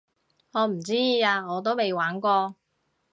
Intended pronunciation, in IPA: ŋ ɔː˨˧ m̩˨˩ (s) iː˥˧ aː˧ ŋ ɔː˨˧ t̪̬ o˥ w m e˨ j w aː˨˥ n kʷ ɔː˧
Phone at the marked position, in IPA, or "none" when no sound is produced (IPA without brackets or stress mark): t͡s